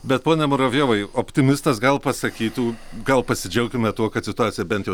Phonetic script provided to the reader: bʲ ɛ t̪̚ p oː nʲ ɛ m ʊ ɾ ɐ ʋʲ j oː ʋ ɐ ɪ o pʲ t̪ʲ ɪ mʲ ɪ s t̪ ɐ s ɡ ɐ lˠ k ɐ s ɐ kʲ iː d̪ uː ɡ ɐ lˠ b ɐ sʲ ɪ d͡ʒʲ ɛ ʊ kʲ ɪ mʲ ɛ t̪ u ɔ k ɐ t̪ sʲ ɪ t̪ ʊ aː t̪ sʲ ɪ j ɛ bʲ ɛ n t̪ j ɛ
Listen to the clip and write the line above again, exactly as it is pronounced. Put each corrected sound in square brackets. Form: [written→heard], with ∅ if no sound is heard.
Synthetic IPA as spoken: bʲ ɛ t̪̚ p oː nʲ ɛ m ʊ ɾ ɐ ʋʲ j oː ʋ ɐ ɪ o pʲ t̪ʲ ɪ mʲ ɪ s t̪ ɐ s ɡ ɐ lˠ [k→p] ɐ s ɐ kʲ iː [d̪→t̪] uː ɡ ɐ lˠ [b→p] ɐ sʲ ɪ d͡ʒʲ ɛ ʊ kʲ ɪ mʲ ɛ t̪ u ɔ k ɐ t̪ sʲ ɪ t̪ ʊ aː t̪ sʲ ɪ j ɛ bʲ ɛ n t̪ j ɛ